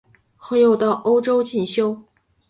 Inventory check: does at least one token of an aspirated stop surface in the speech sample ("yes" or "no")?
no